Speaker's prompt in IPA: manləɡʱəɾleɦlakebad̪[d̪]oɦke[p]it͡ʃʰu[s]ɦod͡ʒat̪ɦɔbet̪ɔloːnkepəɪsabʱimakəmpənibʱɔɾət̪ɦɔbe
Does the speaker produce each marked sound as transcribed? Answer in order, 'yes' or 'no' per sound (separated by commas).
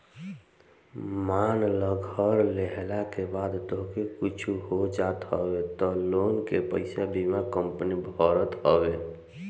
no, no, no